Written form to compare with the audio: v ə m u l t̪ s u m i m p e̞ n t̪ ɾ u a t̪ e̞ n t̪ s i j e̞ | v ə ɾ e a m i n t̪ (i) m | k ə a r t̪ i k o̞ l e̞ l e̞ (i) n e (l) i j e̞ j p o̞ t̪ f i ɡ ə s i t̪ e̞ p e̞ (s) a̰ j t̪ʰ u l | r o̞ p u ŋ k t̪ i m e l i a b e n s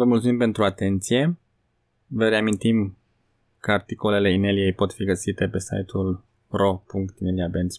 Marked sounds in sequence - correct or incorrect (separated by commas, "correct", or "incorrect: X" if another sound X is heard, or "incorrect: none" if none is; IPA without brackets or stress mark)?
correct, correct, correct, correct